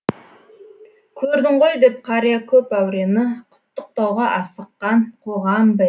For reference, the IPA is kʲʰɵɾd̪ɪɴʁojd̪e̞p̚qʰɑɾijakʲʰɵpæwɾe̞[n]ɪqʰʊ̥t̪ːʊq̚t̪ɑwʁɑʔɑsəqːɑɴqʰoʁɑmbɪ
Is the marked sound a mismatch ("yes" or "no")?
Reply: no